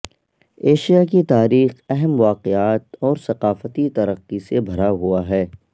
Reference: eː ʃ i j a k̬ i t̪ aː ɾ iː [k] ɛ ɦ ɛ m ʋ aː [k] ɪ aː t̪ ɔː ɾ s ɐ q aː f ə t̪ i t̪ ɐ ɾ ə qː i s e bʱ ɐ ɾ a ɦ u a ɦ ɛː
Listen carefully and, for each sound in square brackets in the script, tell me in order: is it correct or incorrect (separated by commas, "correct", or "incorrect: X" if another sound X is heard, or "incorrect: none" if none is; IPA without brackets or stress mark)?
incorrect: x, incorrect: q